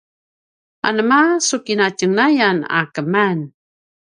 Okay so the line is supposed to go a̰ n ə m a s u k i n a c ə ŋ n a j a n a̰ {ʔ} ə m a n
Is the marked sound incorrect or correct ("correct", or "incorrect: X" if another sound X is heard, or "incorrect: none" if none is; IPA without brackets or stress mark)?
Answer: incorrect: k